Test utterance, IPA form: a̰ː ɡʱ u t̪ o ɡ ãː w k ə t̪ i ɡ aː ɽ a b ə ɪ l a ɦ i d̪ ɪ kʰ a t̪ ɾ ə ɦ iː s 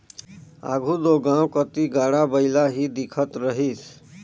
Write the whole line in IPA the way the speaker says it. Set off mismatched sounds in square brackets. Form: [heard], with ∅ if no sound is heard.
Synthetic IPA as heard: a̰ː ɡʱ u [d̪] o ɡ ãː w k ə t̪ i ɡ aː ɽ a b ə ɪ l a ɦ i d̪ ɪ kʰ [ə] t̪ ɾ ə ɦ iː s

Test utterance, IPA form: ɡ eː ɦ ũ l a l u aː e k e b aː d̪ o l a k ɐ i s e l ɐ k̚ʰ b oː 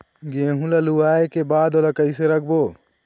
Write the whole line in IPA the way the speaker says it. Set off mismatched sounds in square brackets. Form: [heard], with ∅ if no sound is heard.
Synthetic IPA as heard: ɡ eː ɦ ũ l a l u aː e k e b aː d̪ o l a k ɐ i s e [ɾ] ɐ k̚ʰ b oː

